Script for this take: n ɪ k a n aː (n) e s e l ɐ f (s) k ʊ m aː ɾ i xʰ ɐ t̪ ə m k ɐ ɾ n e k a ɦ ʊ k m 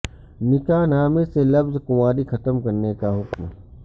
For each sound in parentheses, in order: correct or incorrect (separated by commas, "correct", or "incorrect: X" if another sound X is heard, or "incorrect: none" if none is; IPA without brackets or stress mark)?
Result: incorrect: m, incorrect: z